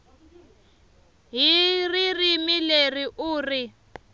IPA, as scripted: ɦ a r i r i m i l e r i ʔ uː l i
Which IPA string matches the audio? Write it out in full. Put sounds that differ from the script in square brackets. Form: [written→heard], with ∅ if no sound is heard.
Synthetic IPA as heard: ɦ [a→i] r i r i m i l e r i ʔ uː [l→r] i